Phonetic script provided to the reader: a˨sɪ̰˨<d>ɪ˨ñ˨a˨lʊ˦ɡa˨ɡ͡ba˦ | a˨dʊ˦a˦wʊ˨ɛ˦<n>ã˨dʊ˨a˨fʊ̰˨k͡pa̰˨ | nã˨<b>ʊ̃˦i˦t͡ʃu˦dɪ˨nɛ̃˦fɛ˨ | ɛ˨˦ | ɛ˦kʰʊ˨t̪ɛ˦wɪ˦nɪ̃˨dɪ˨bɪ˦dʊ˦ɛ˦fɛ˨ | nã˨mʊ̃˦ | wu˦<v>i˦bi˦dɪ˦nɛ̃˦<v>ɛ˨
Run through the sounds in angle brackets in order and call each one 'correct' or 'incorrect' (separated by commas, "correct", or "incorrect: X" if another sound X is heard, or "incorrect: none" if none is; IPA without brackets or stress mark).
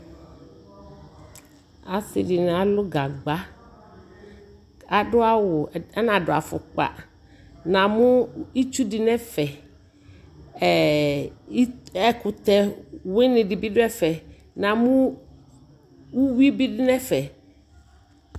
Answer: correct, correct, incorrect: m, incorrect: w, incorrect: f